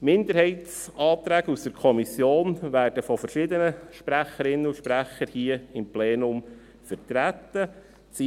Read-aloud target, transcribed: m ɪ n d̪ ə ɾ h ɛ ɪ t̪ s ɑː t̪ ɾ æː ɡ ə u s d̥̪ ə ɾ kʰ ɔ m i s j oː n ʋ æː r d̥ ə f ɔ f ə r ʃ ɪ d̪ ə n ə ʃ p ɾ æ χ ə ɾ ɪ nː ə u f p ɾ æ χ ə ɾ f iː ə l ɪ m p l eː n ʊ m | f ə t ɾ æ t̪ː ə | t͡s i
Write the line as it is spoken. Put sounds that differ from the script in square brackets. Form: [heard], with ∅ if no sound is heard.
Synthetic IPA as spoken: m ɪ n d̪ ə ɾ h ɛ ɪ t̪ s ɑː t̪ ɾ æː ɡ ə u s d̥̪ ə ɾ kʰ ɔ m i s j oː n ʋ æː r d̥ ə f ɔ f ə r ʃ ɪ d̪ ə n ə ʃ p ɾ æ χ ə ɾ ɪ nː ə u [ʃ] p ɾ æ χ ə ɾ [h] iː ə [∅] ɪ m p l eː n ʊ m | f ə t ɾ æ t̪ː ə | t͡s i